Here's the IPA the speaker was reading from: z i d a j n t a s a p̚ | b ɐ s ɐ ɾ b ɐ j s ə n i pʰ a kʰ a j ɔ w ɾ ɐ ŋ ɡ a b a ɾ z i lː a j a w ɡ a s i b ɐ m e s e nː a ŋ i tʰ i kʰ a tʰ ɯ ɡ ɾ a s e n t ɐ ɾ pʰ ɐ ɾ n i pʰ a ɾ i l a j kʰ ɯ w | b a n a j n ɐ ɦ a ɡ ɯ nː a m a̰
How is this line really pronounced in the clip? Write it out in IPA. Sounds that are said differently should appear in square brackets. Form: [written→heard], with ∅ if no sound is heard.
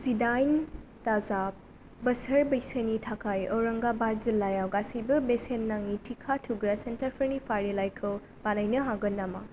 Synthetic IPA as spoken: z i d a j n t a [s→z] a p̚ | b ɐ s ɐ ɾ b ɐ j s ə n i [pʰ→tʰ] a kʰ a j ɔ w ɾ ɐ ŋ ɡ a b a ɾ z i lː a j a w ɡ a s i b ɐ [m→b] e s e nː a ŋ i tʰ i kʰ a tʰ [ɯ→u] ɡ ɾ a s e n t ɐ ɾ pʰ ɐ ɾ n i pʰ a ɾ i l a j kʰ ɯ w | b a n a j n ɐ ɦ a ɡ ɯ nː a m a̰